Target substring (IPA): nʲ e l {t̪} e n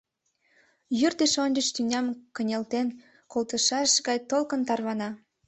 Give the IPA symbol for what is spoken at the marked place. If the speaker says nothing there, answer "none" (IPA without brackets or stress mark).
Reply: t̪